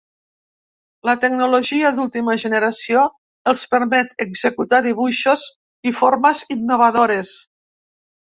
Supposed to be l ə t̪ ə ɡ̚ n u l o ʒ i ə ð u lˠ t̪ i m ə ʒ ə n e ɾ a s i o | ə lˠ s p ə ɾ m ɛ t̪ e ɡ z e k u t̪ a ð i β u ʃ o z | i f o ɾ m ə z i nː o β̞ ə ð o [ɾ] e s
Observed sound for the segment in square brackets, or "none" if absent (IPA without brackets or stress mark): ɾ